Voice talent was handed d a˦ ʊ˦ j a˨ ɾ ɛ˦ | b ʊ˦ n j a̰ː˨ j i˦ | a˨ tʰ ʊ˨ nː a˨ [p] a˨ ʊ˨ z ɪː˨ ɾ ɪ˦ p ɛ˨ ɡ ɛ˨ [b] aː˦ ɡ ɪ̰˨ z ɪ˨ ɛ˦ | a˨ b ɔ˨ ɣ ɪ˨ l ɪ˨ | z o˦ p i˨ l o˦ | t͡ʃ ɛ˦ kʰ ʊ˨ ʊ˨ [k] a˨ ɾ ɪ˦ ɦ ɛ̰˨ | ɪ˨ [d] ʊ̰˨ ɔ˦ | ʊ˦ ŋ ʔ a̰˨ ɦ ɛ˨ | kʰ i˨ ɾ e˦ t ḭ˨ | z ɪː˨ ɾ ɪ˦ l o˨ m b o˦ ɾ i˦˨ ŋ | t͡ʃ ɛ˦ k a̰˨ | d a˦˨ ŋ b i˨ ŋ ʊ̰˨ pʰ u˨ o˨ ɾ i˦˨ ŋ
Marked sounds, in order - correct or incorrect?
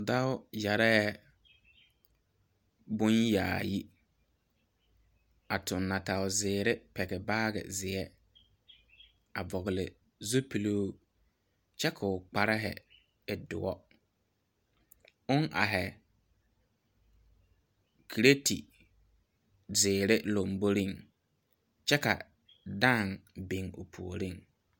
incorrect, correct, incorrect, correct

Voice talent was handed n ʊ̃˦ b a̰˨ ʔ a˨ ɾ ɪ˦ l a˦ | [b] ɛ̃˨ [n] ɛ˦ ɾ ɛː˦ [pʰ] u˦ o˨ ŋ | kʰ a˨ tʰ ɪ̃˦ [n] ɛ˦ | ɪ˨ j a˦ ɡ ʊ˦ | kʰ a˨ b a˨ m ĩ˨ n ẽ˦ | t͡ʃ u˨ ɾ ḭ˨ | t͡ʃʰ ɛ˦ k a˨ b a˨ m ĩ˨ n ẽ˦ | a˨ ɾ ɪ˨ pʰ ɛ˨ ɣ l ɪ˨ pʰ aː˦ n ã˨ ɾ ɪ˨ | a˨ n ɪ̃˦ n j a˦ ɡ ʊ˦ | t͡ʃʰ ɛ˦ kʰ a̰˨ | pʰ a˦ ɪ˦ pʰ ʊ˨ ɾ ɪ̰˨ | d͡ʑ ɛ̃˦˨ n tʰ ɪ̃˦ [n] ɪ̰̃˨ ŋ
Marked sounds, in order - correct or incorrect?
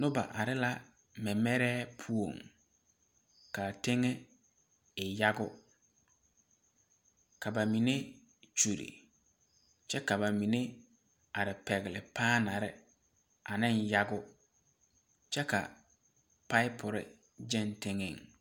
incorrect, incorrect, correct, incorrect, incorrect

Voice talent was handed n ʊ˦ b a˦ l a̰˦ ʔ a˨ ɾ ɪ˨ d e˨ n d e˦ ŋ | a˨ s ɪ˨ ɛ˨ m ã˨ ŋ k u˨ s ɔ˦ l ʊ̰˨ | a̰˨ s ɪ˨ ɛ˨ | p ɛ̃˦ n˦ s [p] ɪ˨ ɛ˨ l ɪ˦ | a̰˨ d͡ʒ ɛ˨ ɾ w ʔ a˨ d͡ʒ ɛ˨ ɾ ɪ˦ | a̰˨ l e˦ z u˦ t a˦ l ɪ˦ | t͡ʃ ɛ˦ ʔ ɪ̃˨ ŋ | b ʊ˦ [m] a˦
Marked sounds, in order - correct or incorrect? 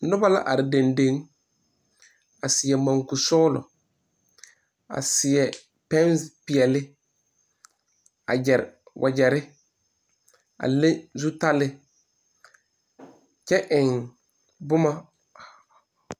correct, correct

